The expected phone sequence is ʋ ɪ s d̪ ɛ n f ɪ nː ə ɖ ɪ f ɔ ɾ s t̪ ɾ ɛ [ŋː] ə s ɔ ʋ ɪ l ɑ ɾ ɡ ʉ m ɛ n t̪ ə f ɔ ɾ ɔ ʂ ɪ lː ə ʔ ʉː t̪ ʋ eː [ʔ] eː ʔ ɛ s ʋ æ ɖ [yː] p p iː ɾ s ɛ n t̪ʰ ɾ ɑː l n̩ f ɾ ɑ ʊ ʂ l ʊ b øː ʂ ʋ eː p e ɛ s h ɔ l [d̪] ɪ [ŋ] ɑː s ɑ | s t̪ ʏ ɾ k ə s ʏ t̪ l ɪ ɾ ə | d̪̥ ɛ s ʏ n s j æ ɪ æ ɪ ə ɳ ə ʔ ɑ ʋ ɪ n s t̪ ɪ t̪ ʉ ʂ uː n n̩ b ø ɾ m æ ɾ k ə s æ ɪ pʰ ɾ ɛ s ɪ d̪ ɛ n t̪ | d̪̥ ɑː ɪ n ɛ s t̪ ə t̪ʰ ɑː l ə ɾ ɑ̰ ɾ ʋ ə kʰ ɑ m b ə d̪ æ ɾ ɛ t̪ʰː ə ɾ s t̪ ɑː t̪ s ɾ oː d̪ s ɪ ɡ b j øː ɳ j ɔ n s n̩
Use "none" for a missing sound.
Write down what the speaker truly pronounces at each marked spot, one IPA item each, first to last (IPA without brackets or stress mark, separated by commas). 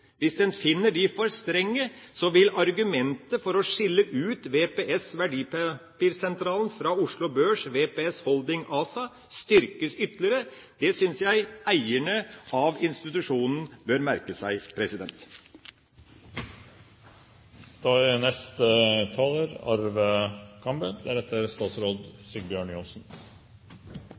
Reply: ŋː, p, iː, d̪, ŋ